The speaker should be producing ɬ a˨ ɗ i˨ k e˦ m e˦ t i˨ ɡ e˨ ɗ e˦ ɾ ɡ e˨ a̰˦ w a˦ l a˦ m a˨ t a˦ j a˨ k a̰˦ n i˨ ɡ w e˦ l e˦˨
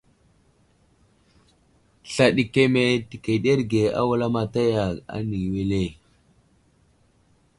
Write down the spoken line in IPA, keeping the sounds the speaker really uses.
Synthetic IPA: ɬ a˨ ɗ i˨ k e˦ m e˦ t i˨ k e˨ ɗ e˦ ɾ ɡ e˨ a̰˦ w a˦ l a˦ m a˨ t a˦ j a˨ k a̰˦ n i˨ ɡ w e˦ l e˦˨